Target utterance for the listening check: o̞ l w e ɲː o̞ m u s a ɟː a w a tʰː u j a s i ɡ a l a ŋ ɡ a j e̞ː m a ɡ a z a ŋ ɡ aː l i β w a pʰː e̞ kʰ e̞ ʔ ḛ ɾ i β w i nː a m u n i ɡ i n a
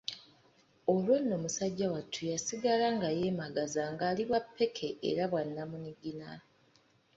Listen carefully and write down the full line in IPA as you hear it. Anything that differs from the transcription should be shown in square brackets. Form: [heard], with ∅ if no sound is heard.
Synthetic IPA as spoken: o̞ l w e [nː] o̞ m u s a ɟː a w a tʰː u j a s i ɡ a l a ŋ ɡ a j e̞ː m a ɡ a z a ŋ ɡ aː l i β w a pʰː e̞ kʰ e̞ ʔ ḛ ɾ [a] β w [a] nː a m u n i ɡ i n a